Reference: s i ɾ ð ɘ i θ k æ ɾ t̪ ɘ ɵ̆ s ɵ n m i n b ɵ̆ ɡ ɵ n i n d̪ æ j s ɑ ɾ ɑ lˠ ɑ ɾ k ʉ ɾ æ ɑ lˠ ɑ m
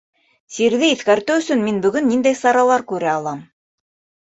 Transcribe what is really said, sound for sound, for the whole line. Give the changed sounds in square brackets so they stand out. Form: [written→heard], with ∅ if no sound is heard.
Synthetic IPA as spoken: s i ɾ ð ɘ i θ k æ ɾ t̪ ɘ ɵ̆ s ɵ n m i n b ɵ̆ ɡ ɵ [n→nː] i n d̪ æ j s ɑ ɾ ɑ lˠ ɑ ɾ k ʉ ɾ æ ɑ lˠ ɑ m